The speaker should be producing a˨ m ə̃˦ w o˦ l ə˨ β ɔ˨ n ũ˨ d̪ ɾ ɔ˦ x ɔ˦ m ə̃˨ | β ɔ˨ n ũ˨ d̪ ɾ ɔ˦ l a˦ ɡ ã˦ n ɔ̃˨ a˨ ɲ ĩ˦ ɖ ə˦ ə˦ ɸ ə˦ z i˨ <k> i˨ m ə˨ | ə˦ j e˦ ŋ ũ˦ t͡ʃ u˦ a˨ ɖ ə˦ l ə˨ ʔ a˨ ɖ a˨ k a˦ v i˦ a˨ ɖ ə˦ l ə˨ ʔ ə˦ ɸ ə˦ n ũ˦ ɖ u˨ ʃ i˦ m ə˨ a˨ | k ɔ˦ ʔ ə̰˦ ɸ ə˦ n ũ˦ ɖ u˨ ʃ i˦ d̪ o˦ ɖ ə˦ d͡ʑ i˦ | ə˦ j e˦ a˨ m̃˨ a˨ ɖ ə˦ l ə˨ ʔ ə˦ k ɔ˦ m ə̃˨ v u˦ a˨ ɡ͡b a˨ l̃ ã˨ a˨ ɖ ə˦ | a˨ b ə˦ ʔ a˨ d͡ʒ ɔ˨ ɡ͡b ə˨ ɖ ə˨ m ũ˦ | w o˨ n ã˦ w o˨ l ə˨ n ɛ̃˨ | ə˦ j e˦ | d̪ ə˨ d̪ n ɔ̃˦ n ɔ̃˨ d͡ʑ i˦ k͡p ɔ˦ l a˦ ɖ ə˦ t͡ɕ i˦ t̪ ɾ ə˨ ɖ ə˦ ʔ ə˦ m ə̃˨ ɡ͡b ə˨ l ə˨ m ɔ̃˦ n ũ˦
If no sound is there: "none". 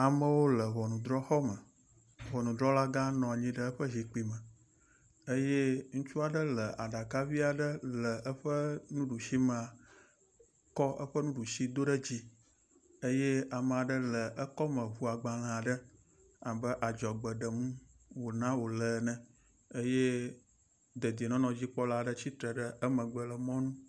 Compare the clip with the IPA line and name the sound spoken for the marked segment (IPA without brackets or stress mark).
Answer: k͡p